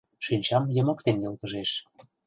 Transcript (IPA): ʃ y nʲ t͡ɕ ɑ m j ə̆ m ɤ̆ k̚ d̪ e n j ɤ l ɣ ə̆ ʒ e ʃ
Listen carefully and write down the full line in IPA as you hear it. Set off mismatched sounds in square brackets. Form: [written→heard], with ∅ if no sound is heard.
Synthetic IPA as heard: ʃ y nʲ t͡ɕ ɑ m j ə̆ m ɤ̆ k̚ [d̪→t̪] e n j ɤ l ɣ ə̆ ʒ e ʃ